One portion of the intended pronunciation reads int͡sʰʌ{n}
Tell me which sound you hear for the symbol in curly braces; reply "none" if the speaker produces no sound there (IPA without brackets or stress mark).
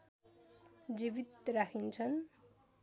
n